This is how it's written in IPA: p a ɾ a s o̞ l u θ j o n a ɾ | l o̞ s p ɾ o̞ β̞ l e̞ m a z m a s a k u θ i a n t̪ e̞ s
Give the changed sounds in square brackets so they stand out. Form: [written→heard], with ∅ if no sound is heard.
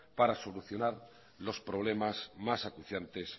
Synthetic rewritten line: p a ɾ a s o̞ l u θ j o n a ɾ | l o̞ s p ɾ o̞ β̞ l e̞ m a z m a s a k u θ [i→j] a n t̪ e̞ s